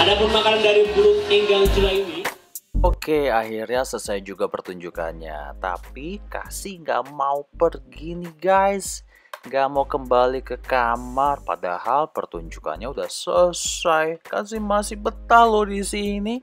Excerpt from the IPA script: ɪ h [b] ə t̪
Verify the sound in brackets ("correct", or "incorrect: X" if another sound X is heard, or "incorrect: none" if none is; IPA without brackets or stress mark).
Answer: correct